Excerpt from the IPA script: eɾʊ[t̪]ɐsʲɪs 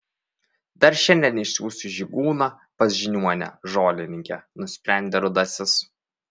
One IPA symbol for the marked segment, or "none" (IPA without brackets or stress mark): d̪